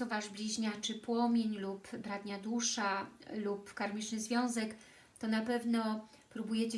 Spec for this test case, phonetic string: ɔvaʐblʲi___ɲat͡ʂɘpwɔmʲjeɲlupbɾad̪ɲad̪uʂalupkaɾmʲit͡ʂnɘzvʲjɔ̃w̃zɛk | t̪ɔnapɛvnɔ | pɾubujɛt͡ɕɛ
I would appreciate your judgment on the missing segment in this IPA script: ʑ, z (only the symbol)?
ʑ